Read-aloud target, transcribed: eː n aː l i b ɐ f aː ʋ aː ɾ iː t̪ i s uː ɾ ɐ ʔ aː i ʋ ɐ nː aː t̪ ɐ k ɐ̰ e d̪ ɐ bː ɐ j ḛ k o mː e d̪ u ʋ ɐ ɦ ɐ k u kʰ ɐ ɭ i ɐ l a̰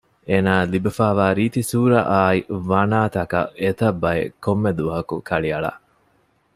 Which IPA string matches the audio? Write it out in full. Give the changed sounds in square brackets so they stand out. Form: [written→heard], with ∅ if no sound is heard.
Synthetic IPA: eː n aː l i b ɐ f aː ʋ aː ɾ iː t̪ i s uː ɾ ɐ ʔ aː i ʋ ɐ [nː→n] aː t̪ ɐ k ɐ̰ e [d̪→t̪] ɐ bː ɐ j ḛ k o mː e d̪ u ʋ ɐ ɦ ɐ k u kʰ ɐ ɭ i ɐ [l→ɭ] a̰